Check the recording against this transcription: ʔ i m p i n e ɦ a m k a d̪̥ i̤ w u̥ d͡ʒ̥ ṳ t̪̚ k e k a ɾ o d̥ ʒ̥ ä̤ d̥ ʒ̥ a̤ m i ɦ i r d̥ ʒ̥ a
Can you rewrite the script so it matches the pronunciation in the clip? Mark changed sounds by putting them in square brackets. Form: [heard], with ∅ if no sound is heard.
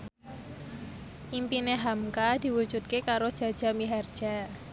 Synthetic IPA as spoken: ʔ i m p i n e ɦ a m k a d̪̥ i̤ w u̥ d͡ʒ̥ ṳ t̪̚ k e k a ɾ o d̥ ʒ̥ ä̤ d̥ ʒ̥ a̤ m i ɦ [a] r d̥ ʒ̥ a